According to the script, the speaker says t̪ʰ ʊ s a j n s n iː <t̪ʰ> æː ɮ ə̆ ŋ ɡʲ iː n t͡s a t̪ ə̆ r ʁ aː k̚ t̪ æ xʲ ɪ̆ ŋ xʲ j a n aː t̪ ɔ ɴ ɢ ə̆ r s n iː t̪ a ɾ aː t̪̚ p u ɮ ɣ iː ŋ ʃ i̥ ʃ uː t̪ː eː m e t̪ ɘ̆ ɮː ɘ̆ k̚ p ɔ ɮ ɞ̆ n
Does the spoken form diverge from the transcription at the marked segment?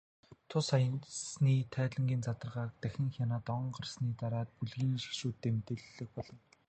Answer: no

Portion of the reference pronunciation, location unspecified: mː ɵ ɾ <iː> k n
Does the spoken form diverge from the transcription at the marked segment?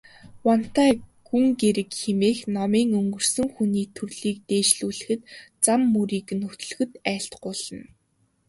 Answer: no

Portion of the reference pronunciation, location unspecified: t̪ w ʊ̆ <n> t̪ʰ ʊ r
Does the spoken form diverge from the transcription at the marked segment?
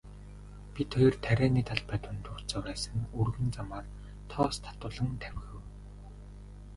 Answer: no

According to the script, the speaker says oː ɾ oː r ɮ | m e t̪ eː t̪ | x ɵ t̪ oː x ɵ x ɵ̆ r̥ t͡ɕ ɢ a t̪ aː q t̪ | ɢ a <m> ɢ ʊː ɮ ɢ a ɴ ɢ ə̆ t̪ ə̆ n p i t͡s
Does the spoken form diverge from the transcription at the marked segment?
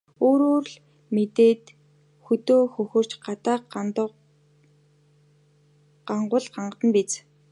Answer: yes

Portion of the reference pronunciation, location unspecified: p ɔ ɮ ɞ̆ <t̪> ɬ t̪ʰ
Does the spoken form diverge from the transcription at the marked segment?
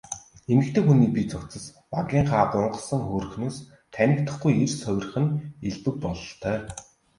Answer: yes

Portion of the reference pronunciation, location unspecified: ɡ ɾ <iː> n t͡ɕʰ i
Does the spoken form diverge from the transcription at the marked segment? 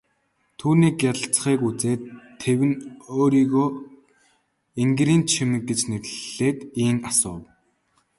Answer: no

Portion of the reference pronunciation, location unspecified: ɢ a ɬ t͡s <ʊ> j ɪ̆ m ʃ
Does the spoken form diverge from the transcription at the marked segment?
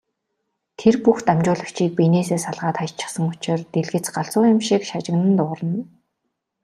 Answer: yes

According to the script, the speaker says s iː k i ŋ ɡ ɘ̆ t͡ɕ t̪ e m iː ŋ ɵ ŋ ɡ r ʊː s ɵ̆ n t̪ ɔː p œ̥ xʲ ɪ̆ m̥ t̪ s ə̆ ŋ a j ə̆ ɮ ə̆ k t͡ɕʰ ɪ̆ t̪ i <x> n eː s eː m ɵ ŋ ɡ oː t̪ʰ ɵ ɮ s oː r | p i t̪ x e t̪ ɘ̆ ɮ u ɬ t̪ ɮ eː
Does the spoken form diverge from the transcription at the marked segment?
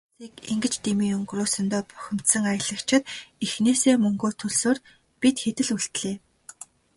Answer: no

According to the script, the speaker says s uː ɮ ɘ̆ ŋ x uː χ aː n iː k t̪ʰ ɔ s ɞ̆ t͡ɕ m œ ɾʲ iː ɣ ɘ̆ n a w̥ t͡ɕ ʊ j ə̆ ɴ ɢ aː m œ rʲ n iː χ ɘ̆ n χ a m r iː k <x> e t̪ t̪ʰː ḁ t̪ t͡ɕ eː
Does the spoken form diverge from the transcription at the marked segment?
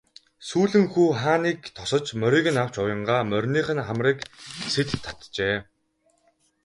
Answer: yes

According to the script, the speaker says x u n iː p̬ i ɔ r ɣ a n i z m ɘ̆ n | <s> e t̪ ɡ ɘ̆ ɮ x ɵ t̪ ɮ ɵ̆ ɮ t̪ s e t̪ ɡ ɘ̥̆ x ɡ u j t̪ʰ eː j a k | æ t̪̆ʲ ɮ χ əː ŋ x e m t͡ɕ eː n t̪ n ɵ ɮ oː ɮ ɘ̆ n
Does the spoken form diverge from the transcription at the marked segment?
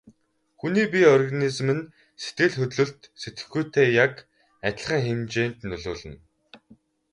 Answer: no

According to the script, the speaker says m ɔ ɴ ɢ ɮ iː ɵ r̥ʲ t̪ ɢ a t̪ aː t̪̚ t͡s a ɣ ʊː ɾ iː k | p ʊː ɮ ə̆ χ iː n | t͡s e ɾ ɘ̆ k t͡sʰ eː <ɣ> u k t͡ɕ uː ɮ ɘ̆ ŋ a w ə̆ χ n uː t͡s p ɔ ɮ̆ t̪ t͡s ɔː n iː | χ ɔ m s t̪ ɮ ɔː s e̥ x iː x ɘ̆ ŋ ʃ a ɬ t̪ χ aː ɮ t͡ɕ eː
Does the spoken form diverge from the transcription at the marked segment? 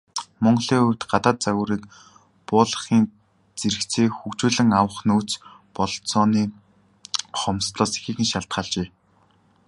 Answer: yes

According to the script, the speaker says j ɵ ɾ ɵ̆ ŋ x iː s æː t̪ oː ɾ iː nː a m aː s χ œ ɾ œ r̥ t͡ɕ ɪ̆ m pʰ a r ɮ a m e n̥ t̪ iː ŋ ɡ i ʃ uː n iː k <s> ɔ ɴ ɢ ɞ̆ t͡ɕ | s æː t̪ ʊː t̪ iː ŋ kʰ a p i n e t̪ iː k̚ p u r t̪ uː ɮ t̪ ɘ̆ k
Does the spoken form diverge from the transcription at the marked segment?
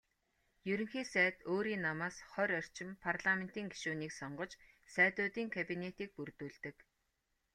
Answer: no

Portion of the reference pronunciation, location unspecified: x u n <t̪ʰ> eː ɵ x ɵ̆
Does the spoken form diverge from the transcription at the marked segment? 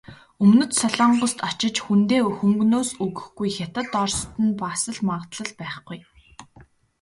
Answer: yes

